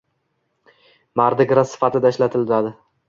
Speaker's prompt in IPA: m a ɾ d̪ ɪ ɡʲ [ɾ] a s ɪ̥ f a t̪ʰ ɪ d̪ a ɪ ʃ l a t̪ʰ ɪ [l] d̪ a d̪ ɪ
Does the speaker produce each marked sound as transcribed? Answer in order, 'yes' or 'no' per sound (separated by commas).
yes, yes